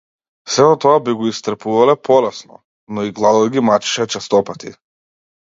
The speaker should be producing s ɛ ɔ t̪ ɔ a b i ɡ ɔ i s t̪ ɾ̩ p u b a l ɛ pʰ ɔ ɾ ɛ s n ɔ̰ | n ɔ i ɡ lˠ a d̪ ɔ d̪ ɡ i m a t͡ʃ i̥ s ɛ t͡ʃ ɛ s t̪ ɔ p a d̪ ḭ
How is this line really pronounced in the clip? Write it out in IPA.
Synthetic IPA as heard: s ɛ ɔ t̪ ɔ a b i ɡ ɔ i s t̪ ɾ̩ p u v a l ɛ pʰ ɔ l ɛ s n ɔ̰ | n ɔ i ɡ lˠ a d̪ ɔ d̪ ɡ i m a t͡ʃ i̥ ʃ ɛ t͡ʃ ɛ s t̪ ɔ p a t̪ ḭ

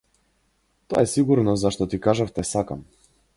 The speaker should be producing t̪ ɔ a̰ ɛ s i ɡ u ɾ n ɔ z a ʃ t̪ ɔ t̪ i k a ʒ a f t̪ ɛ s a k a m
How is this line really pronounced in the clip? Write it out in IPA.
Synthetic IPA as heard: t̪ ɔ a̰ ɛ s i ɡ u ɾ n ɔ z a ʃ t̪ ɔ t̪ i k a ʒ a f t̪ ɛ s a k a m

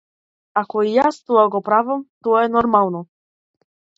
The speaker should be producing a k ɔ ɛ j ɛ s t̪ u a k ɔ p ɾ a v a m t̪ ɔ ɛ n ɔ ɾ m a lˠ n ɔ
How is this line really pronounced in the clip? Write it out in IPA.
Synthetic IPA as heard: a k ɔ i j a s t̪ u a ɡ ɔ p ɾ a v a m t̪ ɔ ɛ n ɔ ɾ m a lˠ n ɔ

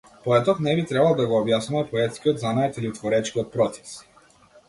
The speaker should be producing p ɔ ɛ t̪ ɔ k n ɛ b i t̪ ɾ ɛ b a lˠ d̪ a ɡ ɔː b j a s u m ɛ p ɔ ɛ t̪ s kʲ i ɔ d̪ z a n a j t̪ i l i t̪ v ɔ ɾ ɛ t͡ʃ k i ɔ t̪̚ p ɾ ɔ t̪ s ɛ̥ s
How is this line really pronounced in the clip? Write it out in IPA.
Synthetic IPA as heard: p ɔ ɛ t̪ ɔ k n ɛ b i t̪ ɾ ɛ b a lˠ d̪ a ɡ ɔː b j a s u m ɛ p ɔ ɛ t̪ s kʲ i ɔ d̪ z a n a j t̪ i l i t̪ v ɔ ɾ ɛ t͡ʃ k i ɔ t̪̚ p ɾ ɔ t̪ s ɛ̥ s

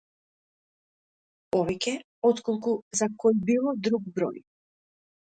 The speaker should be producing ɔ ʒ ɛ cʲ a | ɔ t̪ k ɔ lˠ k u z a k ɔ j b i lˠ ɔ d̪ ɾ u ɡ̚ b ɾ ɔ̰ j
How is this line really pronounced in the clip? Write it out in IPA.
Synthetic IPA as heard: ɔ v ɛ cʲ ɛ | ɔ t̪ k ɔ lˠ k u z a k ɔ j b i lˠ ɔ d̪ ɾ u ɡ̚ b ɾ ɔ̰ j

